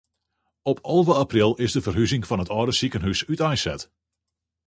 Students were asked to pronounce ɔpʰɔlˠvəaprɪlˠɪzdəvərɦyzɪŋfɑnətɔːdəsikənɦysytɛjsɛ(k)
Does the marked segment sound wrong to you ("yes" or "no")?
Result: yes